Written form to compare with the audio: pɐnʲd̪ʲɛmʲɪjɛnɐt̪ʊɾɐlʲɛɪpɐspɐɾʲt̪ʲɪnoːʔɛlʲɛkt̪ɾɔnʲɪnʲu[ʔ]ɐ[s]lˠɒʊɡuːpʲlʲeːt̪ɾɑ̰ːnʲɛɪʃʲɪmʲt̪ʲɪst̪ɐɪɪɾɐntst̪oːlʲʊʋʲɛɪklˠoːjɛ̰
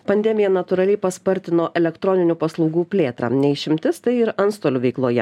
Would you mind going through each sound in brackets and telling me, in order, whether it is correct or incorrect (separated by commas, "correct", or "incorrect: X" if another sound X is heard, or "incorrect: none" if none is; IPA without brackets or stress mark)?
incorrect: p, correct